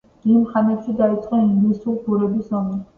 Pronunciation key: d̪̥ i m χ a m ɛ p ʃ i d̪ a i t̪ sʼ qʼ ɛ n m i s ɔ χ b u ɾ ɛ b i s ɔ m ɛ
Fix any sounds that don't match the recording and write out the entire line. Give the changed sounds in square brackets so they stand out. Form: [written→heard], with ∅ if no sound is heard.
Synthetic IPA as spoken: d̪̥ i m χ a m ɛ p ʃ i d̪ a i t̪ sʼ qʼ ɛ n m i s [ɔ→u] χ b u ɾ ɛ b i s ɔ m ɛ